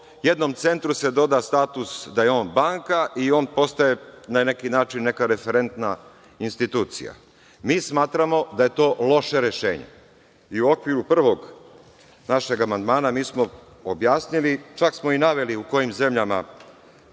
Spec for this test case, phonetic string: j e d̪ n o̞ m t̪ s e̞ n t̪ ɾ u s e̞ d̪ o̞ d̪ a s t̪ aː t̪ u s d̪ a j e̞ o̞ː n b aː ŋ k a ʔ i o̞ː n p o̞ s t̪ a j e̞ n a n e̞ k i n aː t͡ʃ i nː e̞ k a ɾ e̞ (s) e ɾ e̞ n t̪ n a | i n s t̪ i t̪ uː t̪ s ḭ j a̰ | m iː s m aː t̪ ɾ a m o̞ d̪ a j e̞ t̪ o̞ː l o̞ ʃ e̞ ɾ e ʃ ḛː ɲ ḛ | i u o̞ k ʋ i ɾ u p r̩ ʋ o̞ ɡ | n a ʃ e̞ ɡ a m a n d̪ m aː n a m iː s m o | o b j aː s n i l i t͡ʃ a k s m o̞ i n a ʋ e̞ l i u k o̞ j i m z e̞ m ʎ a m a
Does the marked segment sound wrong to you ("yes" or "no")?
yes